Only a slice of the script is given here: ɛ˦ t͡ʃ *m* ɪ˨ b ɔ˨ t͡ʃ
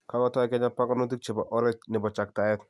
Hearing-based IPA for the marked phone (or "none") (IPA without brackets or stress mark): n